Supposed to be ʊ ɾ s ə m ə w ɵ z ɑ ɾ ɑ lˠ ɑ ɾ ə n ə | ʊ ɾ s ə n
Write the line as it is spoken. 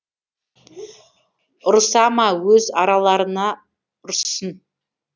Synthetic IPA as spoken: ʊ ɾ s ɑ m ɑ w ɵ z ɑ ɾ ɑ lˠ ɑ ɾ ə n ɑ | ʊ ɾ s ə n